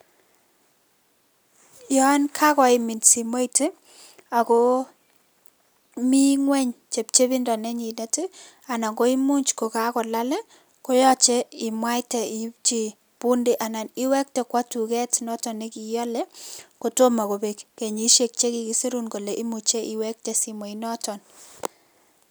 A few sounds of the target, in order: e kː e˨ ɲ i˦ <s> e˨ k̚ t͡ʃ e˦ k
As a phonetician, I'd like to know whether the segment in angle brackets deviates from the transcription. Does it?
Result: yes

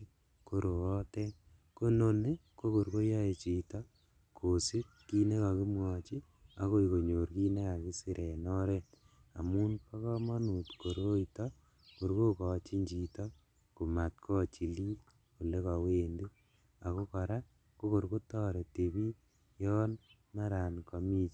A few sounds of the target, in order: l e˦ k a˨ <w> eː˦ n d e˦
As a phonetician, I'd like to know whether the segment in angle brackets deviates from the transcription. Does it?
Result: no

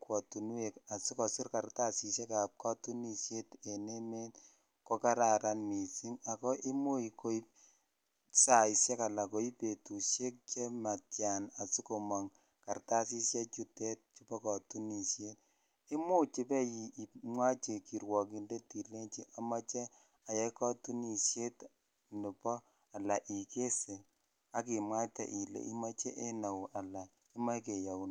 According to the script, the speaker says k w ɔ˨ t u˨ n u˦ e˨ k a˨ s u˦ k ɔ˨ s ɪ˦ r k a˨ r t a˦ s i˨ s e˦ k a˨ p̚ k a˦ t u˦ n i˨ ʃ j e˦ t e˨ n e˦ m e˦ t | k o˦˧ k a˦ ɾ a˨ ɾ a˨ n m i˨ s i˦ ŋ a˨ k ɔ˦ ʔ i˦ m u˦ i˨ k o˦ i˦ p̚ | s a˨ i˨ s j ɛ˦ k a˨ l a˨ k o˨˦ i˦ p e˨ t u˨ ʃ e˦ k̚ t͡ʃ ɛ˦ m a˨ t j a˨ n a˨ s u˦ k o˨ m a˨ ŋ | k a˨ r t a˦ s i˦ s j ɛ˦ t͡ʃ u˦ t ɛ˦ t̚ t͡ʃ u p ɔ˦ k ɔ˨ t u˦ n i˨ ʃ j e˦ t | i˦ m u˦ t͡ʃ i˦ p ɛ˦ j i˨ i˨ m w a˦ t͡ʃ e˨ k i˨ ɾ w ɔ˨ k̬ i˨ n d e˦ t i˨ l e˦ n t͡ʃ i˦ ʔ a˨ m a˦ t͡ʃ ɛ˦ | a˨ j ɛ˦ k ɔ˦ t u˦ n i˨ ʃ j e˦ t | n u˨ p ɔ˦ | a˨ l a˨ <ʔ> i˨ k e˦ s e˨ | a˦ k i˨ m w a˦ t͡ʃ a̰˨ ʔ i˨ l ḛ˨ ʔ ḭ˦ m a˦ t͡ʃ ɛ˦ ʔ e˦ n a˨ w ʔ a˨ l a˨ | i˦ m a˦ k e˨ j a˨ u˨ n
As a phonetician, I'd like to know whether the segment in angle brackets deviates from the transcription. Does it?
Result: no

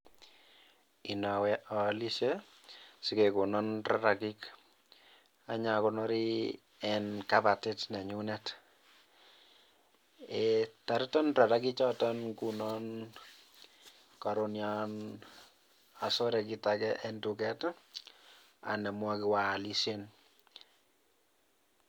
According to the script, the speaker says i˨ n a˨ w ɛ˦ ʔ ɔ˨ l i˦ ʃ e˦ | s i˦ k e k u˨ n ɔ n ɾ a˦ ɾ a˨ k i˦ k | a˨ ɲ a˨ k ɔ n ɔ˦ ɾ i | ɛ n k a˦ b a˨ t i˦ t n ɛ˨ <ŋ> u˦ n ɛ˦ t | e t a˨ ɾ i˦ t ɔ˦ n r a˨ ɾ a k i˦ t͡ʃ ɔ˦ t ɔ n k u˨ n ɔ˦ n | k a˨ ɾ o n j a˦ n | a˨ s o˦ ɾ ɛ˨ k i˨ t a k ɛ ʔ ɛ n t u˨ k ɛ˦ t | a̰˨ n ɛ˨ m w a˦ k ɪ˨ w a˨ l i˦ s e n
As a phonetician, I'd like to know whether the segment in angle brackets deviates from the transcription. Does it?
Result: yes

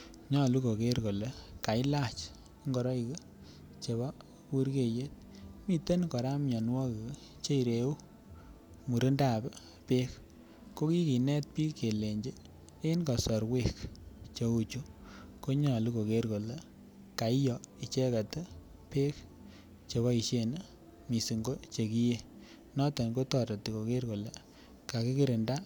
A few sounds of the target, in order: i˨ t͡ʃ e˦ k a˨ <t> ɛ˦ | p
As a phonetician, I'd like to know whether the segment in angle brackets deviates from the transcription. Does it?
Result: no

